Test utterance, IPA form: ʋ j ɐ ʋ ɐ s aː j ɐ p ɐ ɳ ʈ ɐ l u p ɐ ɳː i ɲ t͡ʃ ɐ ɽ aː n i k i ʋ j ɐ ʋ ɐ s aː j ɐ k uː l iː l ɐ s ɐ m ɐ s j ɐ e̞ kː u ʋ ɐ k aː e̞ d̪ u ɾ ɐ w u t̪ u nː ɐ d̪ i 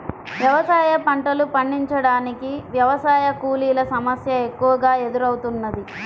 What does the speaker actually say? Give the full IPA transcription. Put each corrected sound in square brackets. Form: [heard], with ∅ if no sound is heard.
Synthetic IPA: ʋ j ɐ ʋ ɐ s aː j ɐ p ɐ ɳ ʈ ɐ l u p ɐ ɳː i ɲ t͡ʃ ɐ ɽ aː n i k i ʋ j ɐ ʋ ɐ s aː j ɐ k uː l iː l ɐ s ɐ m ɐ s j ɐ e̞ kː u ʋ ɐ [ɡ] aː e̞ d̪ u ɾ ɐ w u t̪ u nː ɐ d̪ i